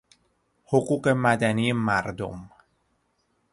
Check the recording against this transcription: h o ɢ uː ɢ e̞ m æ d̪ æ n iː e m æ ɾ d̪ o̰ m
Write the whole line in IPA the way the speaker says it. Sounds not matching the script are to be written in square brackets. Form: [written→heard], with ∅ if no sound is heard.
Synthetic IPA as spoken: h o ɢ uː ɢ e̞ m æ d̪ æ n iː e m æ ɾ d̪ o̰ m